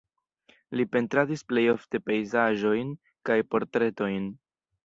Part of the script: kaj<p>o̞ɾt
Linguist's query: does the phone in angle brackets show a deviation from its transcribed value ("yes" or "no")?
no